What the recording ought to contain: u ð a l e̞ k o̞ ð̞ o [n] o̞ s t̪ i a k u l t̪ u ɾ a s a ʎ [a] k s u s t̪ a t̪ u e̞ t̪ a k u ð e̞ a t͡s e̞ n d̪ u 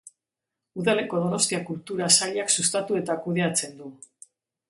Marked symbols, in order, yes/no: yes, yes

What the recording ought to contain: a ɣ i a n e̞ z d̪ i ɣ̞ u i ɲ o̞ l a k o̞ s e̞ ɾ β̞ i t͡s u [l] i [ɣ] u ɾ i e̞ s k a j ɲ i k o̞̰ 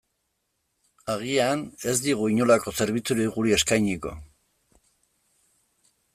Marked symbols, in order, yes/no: no, yes

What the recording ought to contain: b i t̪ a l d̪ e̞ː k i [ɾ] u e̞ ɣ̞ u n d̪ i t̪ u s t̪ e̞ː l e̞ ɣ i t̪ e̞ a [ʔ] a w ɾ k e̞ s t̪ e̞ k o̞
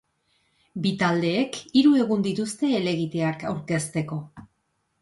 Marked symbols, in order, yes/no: yes, no

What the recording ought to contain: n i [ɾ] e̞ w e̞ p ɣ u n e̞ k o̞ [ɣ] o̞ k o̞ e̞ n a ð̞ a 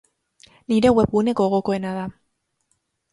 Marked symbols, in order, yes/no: yes, yes

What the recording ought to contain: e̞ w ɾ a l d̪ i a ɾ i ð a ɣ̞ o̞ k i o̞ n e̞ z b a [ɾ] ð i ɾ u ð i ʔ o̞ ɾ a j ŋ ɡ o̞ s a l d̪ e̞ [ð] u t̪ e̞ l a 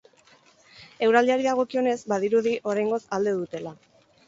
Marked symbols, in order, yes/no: no, yes

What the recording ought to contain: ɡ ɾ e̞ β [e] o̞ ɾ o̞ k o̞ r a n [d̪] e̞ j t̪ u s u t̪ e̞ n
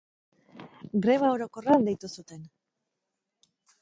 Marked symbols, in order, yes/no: no, yes

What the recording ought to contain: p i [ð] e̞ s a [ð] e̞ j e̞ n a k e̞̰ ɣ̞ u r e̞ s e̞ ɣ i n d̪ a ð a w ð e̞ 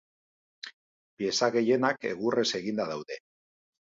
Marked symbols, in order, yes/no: no, no

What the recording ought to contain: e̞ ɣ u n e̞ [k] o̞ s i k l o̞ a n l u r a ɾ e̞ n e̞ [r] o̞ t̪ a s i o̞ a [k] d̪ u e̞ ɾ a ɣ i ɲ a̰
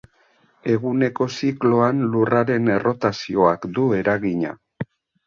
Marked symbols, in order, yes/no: yes, yes, yes

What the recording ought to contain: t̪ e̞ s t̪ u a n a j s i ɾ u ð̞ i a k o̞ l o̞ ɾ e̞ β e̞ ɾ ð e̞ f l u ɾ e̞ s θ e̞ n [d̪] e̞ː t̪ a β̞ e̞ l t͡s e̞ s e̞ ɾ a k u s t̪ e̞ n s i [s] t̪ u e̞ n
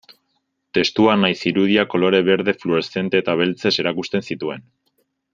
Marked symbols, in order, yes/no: no, no

